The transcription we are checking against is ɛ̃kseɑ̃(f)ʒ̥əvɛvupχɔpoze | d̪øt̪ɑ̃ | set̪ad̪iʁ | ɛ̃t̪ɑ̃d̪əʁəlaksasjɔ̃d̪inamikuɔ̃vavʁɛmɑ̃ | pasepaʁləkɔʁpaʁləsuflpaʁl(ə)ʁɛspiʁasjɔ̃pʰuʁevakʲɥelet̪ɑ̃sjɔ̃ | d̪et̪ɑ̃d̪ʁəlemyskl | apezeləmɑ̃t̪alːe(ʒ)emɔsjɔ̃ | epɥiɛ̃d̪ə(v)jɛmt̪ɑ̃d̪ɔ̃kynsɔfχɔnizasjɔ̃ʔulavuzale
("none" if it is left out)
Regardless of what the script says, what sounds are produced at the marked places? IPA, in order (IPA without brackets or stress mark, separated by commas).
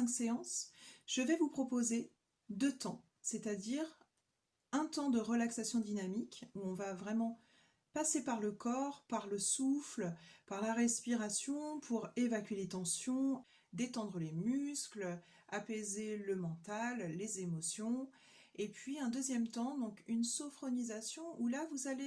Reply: s, a, z, z